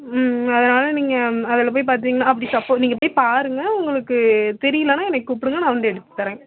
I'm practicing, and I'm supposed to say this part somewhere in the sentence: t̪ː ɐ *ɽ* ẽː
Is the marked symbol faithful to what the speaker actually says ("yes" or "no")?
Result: no